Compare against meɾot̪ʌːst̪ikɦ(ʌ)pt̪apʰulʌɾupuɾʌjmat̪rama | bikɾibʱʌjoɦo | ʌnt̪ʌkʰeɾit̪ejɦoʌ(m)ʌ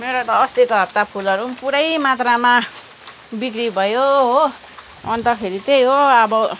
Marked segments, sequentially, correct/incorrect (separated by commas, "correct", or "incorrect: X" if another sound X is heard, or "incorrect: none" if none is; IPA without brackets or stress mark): correct, incorrect: b